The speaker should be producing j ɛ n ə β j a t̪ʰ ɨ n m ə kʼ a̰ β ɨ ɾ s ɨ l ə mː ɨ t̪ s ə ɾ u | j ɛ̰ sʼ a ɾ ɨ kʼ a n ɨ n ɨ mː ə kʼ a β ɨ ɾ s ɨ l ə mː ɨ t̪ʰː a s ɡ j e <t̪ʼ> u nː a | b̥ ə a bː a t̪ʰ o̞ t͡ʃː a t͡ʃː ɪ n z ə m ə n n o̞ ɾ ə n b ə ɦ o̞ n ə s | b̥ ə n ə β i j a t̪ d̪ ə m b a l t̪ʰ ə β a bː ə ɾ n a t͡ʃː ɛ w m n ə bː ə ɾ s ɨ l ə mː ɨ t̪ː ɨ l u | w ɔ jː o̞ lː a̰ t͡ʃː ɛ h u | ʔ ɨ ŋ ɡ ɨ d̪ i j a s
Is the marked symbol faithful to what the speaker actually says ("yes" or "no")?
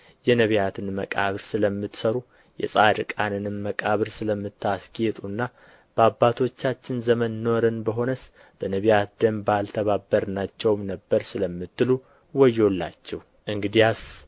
yes